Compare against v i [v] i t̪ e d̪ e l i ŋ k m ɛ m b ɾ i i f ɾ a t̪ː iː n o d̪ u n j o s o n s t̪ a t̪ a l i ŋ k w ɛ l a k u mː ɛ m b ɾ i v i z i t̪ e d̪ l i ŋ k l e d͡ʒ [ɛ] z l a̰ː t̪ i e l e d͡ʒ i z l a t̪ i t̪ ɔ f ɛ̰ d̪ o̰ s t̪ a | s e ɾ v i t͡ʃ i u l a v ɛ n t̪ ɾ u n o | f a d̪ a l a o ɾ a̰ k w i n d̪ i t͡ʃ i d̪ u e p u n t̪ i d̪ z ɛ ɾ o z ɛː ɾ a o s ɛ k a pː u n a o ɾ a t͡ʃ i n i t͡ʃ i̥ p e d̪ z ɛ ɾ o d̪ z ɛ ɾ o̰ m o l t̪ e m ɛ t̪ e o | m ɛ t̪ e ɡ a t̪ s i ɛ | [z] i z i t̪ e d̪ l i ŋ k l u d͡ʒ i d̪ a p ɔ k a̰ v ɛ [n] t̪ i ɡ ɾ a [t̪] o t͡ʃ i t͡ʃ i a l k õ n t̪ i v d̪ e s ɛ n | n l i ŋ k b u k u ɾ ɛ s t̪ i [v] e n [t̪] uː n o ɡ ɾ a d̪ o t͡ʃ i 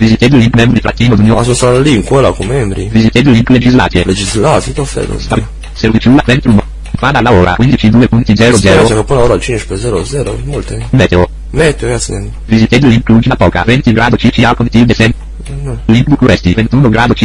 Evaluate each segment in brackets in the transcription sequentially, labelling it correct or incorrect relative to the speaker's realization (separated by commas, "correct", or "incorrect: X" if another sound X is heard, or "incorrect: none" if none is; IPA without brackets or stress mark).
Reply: incorrect: z, incorrect: i, incorrect: v, correct, incorrect: d̪, correct, correct